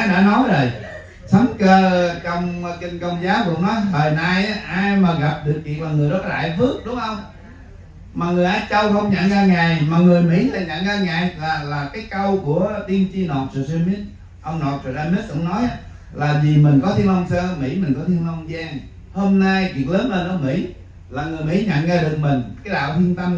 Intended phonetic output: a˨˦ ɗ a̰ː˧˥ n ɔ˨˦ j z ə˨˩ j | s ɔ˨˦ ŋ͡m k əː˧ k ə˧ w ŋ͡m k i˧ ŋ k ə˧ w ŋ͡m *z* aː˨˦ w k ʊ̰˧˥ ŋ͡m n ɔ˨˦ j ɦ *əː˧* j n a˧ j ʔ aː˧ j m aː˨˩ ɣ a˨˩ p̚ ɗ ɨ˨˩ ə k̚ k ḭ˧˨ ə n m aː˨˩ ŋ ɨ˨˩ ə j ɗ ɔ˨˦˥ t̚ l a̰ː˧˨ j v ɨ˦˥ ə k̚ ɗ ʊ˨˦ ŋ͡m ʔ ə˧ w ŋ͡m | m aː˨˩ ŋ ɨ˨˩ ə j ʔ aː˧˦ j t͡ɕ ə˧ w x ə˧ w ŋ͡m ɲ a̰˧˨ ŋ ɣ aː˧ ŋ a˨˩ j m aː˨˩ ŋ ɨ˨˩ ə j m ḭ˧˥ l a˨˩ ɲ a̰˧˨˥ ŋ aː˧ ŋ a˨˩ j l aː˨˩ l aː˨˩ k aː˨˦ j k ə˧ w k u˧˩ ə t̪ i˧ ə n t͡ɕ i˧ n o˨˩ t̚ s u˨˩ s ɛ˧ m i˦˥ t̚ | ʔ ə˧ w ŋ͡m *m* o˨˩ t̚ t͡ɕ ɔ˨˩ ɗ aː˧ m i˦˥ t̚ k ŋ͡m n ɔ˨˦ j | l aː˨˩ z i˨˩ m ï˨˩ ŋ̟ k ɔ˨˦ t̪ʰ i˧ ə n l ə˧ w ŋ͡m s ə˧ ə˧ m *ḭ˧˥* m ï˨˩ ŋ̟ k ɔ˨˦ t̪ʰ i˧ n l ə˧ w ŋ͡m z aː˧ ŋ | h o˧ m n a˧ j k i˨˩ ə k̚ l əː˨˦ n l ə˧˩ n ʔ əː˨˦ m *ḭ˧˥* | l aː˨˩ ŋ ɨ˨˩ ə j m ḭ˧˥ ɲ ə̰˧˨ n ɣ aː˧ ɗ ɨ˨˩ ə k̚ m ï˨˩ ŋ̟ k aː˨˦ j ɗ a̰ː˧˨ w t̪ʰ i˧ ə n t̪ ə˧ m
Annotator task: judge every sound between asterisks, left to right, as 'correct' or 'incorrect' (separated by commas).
correct, incorrect, incorrect, correct, correct